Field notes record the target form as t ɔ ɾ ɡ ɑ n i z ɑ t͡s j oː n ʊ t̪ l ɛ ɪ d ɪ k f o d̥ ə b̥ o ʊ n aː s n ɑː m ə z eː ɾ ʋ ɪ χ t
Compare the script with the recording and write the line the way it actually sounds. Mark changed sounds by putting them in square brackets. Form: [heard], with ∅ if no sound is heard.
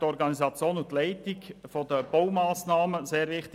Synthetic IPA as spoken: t ɔ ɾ ɡ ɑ n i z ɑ t͡s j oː n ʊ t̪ l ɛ ɪ [t] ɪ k f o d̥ ə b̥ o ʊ [m] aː s n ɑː m ə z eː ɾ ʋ ɪ χ t